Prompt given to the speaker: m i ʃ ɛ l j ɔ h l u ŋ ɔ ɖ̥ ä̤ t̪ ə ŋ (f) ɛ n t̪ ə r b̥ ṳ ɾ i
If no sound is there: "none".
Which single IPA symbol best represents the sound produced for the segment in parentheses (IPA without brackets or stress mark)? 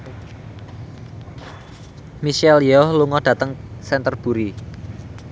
s